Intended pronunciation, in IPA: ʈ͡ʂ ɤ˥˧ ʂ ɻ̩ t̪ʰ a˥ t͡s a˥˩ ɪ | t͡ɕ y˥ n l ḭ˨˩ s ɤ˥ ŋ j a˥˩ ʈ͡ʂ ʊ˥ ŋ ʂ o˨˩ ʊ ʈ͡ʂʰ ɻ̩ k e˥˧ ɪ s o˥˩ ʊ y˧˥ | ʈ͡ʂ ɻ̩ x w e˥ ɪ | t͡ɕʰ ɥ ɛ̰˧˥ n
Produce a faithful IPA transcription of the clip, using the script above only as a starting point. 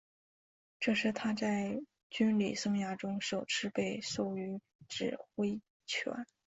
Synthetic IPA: ʈ͡ʂ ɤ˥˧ ʂ ɻ̩ t̪ʰ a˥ t͡s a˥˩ ɪ | t͡ɕ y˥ n l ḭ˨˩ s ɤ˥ ŋ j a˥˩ ʈ͡ʂ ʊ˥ ŋ ʂ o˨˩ ʊ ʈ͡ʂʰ ɻ̩ p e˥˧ ɪ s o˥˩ ʊ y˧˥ | ʈ͡ʂ ɻ̩ x w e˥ ɪ | t͡ɕʰ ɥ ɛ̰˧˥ n